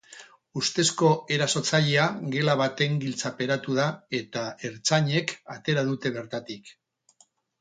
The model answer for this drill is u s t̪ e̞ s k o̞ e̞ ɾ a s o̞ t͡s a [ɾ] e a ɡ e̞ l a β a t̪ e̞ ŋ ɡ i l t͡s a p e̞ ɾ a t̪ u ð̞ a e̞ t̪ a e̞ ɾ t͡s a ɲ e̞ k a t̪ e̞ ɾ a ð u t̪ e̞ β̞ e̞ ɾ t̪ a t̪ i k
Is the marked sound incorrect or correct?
incorrect